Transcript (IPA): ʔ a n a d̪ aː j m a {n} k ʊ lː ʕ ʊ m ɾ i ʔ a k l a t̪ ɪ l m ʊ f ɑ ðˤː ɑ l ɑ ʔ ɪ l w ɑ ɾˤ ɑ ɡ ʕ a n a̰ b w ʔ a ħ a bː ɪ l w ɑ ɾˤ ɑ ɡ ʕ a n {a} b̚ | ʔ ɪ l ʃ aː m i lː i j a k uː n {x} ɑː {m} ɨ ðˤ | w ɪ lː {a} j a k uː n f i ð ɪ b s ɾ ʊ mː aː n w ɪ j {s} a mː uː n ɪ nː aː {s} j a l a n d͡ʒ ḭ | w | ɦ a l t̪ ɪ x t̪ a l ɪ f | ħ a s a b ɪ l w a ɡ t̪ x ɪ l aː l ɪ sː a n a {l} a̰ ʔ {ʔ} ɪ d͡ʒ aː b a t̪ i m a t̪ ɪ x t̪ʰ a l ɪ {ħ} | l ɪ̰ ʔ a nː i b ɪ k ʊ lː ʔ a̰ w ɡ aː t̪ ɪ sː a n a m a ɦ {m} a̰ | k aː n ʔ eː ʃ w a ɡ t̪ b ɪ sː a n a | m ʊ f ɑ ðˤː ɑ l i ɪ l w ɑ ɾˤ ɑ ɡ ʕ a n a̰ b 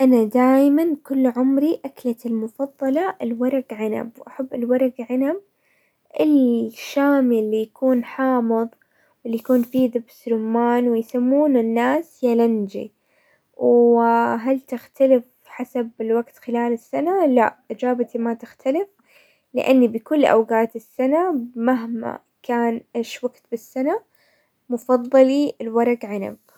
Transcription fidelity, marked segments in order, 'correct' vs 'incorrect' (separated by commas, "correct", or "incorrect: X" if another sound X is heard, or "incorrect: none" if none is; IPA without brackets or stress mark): correct, correct, incorrect: ħ, correct, incorrect: i, correct, correct, correct, correct, incorrect: f, correct